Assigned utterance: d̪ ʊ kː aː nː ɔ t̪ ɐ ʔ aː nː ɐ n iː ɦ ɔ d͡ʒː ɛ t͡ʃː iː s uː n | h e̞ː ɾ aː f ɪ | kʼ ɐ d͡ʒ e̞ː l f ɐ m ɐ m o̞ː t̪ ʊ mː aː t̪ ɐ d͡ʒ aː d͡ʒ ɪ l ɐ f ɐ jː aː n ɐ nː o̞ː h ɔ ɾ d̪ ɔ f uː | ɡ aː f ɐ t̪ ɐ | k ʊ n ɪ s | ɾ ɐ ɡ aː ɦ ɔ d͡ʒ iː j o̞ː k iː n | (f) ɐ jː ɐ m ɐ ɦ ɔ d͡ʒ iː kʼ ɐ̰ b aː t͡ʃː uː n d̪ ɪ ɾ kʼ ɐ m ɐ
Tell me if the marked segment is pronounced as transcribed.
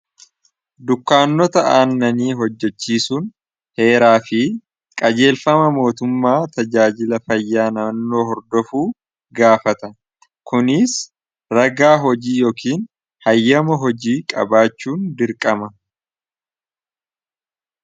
no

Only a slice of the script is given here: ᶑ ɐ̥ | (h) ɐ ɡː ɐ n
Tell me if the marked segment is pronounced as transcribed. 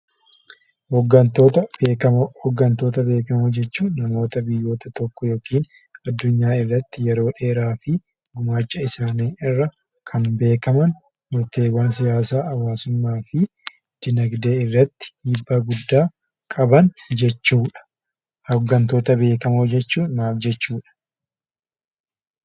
yes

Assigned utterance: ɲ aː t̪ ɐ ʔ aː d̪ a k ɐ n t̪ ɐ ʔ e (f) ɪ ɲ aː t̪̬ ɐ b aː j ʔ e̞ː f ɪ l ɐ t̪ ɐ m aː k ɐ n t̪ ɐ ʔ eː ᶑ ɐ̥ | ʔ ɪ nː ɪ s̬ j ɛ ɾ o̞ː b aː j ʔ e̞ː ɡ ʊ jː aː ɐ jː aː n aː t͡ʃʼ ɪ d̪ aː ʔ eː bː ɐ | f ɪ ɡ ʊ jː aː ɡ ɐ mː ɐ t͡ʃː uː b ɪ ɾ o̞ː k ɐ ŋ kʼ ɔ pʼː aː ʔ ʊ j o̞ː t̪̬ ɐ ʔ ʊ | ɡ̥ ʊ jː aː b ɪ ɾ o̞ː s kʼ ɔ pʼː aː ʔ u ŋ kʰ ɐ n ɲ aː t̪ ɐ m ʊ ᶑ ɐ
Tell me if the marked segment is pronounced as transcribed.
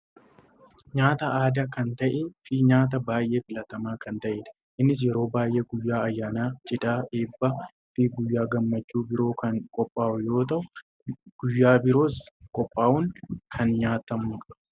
yes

